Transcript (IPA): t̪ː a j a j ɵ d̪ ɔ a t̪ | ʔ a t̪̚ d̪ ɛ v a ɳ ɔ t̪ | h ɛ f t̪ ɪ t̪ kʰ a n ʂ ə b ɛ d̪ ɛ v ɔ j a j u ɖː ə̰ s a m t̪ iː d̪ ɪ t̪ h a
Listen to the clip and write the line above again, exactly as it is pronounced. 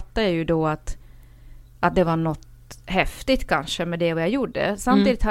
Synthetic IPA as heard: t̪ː a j a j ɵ d̪ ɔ a t̪ | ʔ a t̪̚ d̪ ɛ v a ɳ ɔ t̪ | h ɛ f t̪ ɪ t̪ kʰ a n ʂ ə m ɛ d̪ ɛ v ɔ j a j u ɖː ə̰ s a m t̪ iː d̪ ɪ t̪ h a